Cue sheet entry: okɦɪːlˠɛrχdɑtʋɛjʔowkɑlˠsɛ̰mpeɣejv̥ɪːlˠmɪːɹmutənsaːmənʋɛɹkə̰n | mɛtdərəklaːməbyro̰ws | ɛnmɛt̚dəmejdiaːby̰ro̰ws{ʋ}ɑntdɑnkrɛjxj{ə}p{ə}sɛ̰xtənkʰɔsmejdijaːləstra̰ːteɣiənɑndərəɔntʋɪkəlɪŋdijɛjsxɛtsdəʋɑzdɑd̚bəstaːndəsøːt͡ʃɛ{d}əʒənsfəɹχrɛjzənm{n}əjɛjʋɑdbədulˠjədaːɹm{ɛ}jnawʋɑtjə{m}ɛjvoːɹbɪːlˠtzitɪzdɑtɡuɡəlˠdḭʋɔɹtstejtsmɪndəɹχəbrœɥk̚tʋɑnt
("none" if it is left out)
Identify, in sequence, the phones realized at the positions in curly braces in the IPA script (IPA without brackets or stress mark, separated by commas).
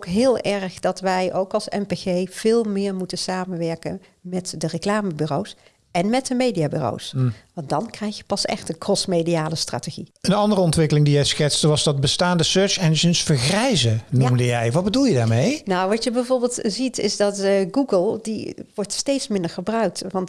ʋ, ə, ɑ, n, d, e, b